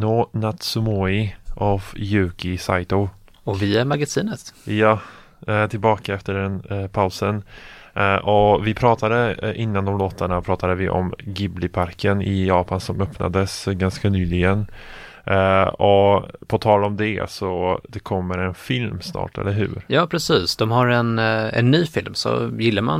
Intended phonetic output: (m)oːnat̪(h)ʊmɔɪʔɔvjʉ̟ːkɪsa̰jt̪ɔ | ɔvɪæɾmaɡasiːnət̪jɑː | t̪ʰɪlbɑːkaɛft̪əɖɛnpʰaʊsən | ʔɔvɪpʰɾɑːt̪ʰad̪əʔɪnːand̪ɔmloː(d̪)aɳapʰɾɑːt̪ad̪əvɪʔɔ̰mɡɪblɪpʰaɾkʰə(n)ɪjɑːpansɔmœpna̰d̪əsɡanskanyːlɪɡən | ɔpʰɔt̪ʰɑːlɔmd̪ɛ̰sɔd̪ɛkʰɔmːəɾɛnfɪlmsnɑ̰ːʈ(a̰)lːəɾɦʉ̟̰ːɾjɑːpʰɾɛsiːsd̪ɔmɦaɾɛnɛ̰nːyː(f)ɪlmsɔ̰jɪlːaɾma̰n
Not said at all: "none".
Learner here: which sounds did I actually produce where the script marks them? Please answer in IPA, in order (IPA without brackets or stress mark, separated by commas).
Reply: n, s, t̪, n, ɛ̰, f